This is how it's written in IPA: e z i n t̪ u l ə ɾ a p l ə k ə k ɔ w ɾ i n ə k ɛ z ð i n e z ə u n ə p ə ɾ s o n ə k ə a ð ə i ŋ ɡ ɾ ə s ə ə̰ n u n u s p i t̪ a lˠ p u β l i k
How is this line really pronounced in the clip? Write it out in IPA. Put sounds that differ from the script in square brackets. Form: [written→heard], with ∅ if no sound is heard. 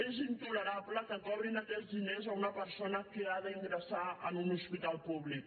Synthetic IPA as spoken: e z i n t̪ u l ə ɾ a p l ə k ə k ɔ [w→β] ɾ i n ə k ɛ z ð i n e z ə u n ə p ə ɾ s o n ə k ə a ð ə i ŋ ɡ ɾ ə s [ə→a] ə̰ n u n u s p i t̪ a lˠ p u β l i k